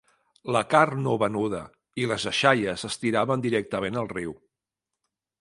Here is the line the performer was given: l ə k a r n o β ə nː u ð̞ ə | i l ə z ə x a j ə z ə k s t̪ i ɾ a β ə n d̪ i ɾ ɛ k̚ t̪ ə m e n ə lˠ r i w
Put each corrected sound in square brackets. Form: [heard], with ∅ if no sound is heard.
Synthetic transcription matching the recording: l ə k a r n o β ə [n] u ð̞ ə | i l ə z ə [ʃ] a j ə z ə [∅] s t̪ i ɾ a β ə n d̪ i ɾ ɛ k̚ t̪ ə m e n ə lˠ r i w